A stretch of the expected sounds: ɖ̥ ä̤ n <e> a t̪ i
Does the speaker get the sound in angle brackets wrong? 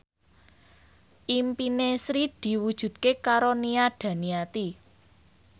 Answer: yes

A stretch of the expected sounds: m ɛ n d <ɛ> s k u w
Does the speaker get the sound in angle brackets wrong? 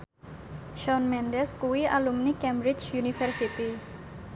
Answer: no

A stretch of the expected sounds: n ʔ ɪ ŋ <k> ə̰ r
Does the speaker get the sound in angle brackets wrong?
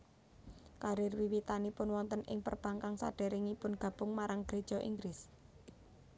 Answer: yes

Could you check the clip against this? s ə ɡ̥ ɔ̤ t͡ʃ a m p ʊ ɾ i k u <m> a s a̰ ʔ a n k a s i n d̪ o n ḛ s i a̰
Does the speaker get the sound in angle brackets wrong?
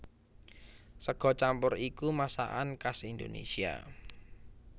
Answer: no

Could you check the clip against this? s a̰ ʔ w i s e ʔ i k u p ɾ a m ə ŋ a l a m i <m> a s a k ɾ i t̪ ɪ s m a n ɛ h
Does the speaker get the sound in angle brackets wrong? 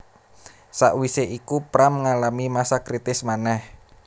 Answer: no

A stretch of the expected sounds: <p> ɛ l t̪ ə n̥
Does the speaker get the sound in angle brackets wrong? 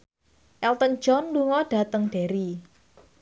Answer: yes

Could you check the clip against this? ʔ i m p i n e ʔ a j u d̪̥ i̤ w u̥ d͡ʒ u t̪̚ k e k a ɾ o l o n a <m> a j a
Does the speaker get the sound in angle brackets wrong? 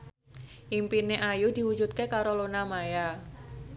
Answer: no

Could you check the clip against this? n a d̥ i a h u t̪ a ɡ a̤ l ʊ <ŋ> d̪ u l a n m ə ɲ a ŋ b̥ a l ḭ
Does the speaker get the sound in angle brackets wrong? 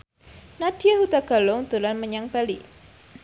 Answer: no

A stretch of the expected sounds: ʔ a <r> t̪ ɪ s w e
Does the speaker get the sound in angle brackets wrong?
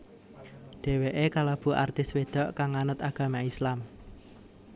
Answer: no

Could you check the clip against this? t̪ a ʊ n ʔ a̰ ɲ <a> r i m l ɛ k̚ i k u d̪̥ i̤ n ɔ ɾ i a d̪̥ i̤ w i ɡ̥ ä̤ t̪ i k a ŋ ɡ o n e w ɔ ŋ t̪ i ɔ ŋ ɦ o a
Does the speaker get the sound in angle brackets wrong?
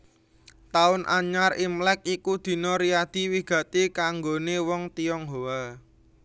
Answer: no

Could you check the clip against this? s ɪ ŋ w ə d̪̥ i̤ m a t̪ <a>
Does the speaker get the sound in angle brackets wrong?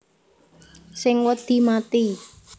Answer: yes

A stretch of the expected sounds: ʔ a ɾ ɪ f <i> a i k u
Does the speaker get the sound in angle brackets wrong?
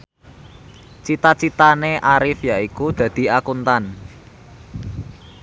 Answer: yes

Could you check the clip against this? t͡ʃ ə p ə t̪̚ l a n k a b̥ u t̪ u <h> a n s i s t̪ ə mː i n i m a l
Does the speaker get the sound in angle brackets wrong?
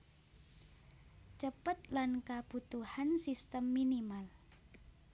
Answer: no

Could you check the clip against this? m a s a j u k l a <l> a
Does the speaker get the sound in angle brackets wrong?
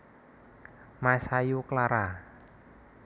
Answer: yes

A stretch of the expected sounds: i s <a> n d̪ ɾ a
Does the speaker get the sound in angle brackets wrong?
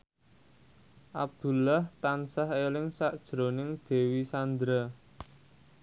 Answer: no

